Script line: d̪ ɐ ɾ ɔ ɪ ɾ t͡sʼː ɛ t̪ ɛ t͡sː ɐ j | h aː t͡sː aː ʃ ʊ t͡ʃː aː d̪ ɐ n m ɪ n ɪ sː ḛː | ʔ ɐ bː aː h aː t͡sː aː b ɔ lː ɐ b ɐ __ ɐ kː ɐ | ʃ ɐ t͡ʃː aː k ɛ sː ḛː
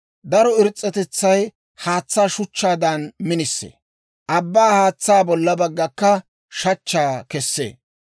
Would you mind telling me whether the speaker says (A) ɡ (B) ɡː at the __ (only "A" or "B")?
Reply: B